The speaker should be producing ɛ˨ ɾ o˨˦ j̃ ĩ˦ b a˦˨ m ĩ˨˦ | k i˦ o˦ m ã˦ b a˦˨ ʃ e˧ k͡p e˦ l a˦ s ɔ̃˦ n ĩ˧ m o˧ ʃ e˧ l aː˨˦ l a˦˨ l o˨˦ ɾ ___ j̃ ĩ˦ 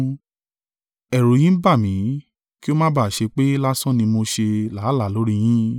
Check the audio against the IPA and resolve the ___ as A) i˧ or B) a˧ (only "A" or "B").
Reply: A